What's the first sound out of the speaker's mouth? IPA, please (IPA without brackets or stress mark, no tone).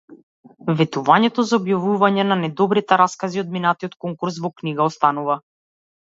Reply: v